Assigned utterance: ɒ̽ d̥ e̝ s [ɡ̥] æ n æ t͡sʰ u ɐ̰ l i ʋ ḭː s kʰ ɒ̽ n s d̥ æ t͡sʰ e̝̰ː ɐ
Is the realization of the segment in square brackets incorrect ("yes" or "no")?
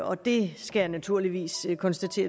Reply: no